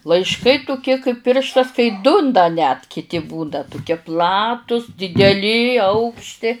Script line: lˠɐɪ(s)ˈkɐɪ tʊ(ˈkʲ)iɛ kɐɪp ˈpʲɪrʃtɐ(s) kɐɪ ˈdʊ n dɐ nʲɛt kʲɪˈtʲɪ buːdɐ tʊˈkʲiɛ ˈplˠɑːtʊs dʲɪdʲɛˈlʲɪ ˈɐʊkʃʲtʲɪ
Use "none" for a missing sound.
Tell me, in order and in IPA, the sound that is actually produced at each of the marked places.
ʃ, kʲ, s

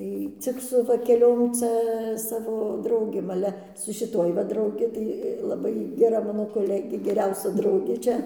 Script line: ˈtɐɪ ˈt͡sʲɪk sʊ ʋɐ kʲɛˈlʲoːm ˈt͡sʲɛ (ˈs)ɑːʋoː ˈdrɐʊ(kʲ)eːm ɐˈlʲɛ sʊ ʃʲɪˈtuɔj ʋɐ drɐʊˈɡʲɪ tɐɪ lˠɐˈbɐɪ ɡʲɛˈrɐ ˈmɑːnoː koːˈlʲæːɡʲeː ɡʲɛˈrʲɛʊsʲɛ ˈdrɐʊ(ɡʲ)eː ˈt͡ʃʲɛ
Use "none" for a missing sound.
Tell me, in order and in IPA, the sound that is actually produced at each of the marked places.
s, ɡʲ, ɡʲ

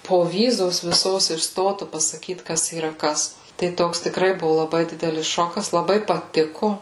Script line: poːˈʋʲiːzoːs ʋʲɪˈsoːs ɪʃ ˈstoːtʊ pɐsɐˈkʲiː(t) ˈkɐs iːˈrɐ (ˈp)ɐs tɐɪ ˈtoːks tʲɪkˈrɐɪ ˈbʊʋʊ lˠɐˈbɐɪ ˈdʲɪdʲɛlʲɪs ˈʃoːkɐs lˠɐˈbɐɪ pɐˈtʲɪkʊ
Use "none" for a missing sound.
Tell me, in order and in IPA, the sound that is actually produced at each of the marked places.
t, k

